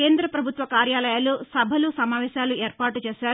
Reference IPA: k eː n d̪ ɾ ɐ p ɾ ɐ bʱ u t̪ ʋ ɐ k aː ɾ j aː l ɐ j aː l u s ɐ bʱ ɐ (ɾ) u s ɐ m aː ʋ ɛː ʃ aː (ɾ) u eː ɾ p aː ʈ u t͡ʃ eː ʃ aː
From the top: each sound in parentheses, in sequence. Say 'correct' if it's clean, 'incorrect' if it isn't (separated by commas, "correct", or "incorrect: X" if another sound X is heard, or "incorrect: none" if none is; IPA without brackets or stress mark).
incorrect: l, incorrect: l